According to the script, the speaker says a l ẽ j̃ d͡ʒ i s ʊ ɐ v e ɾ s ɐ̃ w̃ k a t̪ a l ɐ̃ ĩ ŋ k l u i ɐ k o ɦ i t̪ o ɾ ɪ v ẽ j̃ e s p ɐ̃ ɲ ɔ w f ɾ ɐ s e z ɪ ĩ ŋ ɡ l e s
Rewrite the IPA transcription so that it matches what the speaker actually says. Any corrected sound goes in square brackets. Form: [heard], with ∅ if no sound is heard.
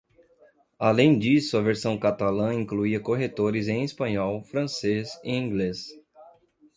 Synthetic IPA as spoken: a l ẽ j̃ d͡ʒ i s ʊ ɐ v e ɾ s ɐ̃ w̃ k a t̪ a l ɐ̃ ĩ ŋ k l u i ɐ k o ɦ [e] t̪ o ɾ ɪ [z] ẽ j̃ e s p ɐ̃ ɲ ɔ w f ɾ [ɐ̃] s e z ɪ ĩ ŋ ɡ l e s